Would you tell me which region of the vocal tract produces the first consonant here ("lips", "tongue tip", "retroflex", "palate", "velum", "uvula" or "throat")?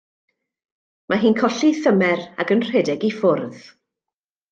lips